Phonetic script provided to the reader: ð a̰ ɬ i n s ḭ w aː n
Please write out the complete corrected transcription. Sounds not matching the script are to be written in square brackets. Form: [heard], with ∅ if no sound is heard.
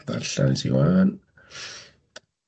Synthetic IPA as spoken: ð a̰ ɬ [a] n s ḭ w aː n